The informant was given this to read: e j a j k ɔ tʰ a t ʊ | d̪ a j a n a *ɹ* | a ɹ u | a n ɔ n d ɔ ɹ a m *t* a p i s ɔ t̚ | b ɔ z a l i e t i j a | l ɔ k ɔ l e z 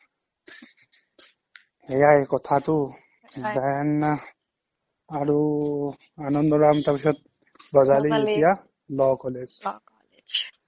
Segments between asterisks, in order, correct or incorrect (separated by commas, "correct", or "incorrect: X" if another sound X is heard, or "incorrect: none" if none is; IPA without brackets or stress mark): incorrect: none, correct